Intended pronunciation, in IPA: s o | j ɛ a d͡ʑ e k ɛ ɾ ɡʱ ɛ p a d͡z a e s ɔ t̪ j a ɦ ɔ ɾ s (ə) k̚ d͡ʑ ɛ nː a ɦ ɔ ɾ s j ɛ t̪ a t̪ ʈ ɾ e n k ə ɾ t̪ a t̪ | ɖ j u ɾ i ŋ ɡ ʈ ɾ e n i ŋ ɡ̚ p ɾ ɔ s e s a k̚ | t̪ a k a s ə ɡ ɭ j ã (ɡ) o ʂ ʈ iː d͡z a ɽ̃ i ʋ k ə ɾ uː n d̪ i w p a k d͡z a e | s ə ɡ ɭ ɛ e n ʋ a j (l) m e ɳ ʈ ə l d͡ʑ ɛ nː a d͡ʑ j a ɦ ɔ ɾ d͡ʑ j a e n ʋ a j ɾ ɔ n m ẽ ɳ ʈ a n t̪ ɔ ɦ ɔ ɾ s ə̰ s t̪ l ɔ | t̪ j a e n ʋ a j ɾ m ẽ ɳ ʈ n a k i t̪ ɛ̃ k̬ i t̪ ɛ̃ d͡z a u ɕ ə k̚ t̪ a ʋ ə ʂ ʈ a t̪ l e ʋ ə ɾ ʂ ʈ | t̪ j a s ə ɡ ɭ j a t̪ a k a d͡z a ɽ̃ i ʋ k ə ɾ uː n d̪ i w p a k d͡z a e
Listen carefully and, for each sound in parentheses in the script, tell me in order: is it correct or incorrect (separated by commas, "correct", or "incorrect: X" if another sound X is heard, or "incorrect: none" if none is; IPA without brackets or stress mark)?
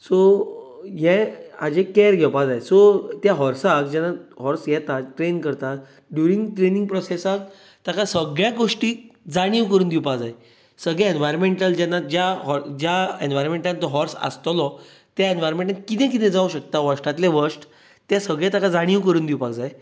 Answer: incorrect: a, correct, incorrect: ɾ